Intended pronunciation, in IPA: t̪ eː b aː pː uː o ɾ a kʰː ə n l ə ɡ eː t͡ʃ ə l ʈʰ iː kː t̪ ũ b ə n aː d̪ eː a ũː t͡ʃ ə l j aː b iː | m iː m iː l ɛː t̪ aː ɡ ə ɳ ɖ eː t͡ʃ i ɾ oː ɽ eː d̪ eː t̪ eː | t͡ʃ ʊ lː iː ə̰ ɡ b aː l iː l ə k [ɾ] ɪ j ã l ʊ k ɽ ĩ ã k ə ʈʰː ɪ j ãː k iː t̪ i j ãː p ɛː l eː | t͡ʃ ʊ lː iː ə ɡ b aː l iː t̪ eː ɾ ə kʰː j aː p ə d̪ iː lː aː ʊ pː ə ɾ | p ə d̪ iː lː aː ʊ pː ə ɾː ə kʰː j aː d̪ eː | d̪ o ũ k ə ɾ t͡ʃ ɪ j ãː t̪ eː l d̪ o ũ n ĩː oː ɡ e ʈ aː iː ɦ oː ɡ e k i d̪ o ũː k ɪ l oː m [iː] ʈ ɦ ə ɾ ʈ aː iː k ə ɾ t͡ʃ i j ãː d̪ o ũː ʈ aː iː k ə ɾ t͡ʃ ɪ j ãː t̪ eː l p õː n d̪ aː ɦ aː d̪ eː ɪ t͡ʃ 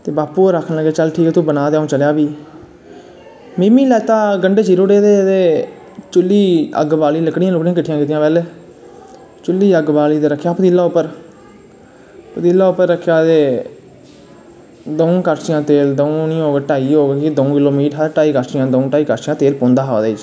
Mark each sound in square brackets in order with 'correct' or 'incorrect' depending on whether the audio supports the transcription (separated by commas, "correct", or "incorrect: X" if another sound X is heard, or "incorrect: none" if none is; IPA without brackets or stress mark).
incorrect: ɽ, correct